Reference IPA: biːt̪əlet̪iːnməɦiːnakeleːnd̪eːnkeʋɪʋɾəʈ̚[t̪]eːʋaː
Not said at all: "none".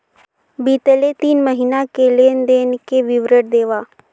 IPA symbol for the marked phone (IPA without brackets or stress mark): d̪